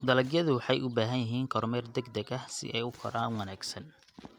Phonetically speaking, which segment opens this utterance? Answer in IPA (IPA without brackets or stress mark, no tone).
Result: d̪